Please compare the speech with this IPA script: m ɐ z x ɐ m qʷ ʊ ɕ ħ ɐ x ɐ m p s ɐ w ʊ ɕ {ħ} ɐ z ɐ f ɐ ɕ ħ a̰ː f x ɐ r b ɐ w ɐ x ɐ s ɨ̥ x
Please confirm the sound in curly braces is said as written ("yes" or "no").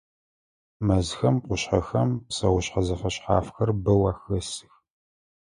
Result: yes